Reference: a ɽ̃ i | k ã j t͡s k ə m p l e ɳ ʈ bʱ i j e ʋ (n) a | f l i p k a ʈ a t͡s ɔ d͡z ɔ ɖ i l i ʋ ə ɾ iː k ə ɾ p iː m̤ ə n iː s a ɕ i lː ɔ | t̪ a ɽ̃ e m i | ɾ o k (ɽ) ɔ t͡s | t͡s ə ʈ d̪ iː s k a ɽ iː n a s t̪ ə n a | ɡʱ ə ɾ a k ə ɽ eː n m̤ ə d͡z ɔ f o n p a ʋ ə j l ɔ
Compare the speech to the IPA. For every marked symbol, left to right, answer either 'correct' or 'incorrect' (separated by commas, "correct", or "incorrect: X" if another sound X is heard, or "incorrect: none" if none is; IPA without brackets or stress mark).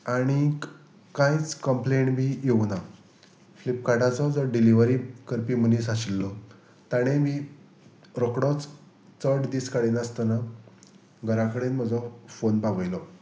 correct, correct